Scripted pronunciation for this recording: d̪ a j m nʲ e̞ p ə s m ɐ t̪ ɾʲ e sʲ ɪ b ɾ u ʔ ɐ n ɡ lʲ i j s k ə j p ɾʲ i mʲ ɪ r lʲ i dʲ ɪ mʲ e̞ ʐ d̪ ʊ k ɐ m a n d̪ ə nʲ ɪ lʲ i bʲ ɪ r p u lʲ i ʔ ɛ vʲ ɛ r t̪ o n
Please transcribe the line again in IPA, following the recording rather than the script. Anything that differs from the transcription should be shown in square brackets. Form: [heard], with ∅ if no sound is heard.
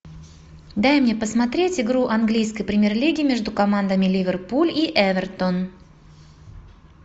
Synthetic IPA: d̪ a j m nʲ e̞ p ə s m ɐ t̪ ɾʲ e [tʲ] ɪ [ɡ] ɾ u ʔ ɐ n ɡ lʲ i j s k ə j p ɾʲ [ɪ] mʲ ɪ r lʲ i [ɡʲ] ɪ mʲ e̞ ʐ d̪ ʊ k ɐ m a n d̪ ə [mʲ] ɪ lʲ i [vʲ] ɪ r p u lʲ i ʔ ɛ vʲ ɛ r t̪ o n